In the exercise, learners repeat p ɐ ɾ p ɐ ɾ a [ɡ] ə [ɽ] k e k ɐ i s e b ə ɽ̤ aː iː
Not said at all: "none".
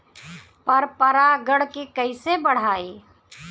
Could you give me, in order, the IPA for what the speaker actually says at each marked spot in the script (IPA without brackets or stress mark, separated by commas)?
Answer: ɡ, ɽ